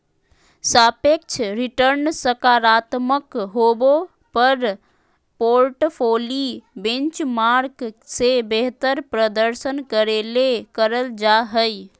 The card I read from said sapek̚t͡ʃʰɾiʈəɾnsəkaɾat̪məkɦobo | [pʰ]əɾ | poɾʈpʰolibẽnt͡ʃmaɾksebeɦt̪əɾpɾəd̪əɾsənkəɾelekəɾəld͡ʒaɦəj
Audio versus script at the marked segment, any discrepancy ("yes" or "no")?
yes